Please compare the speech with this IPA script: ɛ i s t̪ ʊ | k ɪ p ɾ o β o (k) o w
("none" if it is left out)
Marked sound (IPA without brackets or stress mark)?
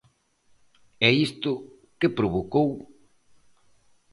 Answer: k